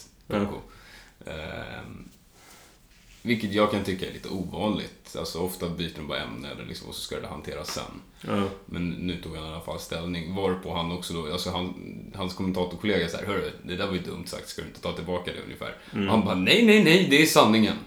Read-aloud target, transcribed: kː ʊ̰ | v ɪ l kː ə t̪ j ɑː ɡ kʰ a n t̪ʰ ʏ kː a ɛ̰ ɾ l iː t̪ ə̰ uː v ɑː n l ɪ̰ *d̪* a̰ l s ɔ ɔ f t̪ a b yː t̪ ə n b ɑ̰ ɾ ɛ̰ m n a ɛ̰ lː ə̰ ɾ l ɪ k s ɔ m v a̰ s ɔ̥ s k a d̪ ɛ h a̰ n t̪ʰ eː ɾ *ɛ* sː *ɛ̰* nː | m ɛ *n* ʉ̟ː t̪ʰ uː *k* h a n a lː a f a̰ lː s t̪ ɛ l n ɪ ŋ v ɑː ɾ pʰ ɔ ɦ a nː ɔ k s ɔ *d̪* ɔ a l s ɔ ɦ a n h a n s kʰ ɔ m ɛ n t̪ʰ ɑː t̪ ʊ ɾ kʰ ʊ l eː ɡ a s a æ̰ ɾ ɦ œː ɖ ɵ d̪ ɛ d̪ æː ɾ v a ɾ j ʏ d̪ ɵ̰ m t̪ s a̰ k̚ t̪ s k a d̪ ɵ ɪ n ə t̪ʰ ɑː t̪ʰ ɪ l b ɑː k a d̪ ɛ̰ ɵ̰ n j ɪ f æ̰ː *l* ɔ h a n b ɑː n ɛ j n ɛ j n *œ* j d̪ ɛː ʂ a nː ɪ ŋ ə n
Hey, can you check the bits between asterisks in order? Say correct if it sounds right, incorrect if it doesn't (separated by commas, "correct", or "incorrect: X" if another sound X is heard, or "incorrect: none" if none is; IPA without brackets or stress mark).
incorrect: t̪, incorrect: a, correct, incorrect: nː, incorrect: ɡ, correct, incorrect: ɾ, incorrect: ɛ